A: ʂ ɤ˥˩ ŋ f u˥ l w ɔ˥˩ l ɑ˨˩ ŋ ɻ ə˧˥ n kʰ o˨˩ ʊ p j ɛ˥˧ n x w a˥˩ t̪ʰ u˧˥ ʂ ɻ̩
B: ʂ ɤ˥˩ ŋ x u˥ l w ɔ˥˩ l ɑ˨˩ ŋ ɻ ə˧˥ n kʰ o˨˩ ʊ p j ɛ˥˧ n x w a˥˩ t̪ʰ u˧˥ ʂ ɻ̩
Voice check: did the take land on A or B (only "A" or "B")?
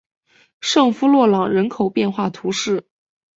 A